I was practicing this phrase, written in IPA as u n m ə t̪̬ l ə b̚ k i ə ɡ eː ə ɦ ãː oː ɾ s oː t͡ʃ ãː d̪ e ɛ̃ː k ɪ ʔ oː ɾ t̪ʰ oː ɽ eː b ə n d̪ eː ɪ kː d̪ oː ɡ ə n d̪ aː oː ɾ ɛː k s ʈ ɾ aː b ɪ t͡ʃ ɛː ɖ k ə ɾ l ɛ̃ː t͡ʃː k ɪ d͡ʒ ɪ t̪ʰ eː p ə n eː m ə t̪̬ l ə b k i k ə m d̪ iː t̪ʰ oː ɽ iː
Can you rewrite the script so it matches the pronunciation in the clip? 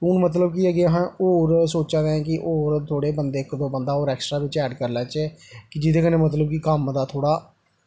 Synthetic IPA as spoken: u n m ə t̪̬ l ə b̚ k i ə ɡ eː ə ɦ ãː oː ɾ s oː t͡ʃ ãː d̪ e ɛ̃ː k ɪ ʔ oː ɾ t̪ʰ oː ɽ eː b ə n d̪ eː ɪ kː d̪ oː b ə n d̪ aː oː ɾ ɛː k s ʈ ɾ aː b ɪ t͡ʃ ɛː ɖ k ə ɾ l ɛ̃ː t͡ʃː k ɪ d͡ʒ ɪ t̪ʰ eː k ə n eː m ə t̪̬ l ə b k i k ə m d̪ aː t̪ʰ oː ɽ aː